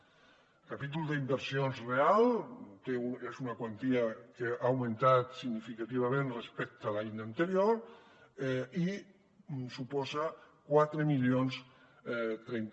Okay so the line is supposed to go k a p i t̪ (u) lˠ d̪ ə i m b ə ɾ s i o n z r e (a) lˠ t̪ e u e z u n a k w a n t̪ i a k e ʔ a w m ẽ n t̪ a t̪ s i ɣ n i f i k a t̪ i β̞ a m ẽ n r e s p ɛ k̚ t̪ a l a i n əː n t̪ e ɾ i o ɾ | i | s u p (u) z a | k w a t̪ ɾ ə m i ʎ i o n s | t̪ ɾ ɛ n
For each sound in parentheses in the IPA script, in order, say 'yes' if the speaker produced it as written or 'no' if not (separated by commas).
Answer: yes, yes, no